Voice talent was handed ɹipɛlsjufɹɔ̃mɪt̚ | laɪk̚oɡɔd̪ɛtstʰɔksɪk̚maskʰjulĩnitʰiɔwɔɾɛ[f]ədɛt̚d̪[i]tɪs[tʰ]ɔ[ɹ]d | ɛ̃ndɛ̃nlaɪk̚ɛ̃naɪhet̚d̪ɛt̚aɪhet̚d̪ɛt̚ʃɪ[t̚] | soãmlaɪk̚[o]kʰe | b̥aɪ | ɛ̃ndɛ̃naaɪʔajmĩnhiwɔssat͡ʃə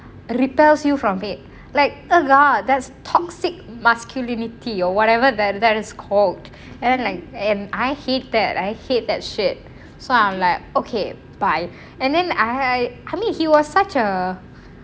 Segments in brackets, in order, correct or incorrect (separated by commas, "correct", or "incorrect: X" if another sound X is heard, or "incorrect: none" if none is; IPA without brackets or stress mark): incorrect: v, incorrect: ɛ, incorrect: kʰ, incorrect: l, correct, correct